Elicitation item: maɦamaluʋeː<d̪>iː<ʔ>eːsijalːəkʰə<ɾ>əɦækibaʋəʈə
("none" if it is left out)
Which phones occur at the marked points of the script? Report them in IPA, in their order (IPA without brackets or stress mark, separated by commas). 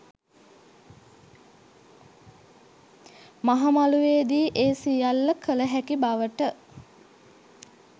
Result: d̪, ʔ, l